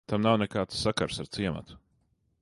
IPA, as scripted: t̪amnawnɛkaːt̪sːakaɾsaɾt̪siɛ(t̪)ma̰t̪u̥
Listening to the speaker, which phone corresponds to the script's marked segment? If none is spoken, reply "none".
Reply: none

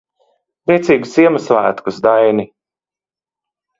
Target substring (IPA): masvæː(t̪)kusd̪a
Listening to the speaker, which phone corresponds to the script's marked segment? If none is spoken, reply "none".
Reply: t̪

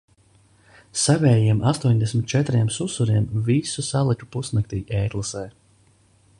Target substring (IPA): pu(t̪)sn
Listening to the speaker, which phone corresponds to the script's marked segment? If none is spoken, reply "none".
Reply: none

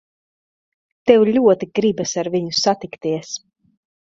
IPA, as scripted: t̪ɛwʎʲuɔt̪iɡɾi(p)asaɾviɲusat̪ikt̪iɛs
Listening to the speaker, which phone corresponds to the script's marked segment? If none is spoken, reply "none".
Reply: b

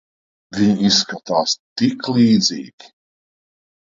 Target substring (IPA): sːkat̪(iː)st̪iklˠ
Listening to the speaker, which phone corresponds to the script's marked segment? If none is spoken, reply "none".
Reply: aː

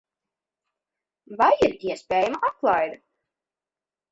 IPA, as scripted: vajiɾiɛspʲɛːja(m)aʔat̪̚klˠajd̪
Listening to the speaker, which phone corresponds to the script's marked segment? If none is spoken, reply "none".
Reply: m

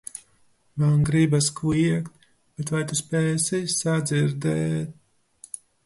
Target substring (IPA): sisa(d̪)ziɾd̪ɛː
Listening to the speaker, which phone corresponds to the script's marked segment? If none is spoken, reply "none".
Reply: d̪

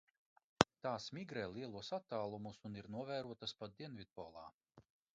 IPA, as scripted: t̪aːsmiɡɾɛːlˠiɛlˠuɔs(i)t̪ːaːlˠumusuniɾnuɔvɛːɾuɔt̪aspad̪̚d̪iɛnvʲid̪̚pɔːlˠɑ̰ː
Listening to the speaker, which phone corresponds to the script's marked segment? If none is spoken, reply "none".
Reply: a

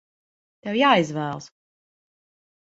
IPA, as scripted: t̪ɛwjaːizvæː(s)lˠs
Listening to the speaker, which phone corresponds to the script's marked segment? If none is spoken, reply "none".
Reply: none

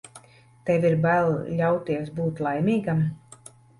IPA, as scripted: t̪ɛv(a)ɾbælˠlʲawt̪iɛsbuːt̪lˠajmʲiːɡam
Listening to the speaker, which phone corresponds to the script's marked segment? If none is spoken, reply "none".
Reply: i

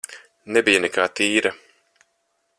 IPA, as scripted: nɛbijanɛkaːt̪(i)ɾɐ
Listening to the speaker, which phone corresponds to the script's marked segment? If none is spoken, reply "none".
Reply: iː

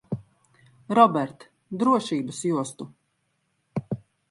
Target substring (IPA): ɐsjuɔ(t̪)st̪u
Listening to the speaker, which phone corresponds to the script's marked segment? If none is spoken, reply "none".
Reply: none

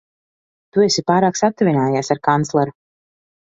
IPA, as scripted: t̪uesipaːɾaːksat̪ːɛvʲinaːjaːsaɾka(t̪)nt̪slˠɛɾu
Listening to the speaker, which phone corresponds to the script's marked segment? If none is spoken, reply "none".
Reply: none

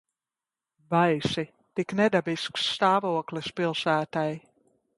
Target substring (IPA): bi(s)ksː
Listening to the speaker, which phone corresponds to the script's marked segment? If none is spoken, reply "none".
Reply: s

